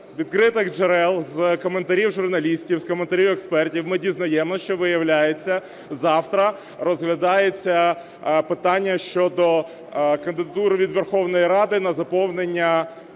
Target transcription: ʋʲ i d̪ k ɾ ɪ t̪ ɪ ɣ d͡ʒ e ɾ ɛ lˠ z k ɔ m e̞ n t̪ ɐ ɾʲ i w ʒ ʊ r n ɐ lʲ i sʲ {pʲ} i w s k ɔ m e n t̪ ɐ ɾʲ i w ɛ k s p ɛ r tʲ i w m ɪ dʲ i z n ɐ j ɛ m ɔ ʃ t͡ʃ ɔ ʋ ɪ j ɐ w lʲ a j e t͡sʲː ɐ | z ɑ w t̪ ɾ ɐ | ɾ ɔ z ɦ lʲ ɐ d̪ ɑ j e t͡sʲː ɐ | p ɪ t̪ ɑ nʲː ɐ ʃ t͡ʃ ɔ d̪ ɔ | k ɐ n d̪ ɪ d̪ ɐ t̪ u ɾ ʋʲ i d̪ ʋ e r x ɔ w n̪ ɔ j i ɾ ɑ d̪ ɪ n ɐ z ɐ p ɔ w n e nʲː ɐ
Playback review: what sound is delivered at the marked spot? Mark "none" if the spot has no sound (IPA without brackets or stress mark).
tʲ